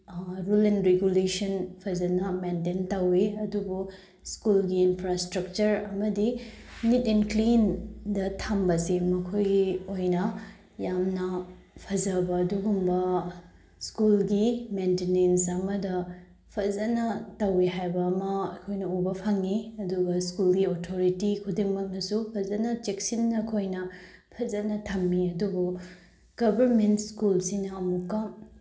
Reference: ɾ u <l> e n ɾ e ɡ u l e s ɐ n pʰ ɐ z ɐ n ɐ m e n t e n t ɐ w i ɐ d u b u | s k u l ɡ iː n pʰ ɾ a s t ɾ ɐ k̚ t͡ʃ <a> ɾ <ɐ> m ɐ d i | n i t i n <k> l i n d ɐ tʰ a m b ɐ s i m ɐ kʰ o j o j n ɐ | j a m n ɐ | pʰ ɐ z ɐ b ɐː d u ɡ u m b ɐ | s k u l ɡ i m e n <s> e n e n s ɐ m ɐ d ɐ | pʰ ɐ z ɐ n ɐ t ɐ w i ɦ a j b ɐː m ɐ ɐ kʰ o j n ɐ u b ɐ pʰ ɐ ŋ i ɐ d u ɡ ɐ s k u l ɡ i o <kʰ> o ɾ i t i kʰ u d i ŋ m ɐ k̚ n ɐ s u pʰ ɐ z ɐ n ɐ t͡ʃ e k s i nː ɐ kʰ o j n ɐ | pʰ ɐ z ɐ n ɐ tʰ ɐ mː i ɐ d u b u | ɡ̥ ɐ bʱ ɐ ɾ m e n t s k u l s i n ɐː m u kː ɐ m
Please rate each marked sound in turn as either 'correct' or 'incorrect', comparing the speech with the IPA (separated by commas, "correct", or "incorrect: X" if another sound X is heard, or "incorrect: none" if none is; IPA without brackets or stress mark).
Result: correct, incorrect: ɐ, correct, correct, incorrect: t, incorrect: tʰ